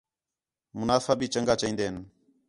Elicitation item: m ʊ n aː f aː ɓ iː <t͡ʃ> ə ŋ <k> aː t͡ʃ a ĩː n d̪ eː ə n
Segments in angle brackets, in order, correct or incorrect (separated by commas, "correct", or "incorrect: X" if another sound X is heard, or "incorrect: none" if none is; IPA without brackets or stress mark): correct, incorrect: ɡ